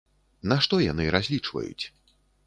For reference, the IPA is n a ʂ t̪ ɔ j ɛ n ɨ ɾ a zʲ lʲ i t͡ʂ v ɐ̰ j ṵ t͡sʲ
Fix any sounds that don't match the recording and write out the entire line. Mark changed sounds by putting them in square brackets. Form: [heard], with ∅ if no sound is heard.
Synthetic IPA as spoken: n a ʂ t̪ ɔ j [a] n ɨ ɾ a zʲ lʲ i t͡ʂ v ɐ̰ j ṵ t͡sʲ